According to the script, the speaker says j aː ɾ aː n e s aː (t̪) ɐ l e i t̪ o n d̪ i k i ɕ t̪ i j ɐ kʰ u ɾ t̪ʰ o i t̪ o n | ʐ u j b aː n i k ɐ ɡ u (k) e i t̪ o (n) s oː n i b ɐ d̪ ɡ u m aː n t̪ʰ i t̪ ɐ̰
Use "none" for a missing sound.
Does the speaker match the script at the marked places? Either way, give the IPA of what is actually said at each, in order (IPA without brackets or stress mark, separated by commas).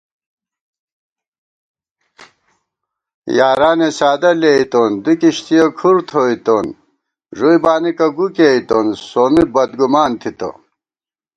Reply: d̪, k, n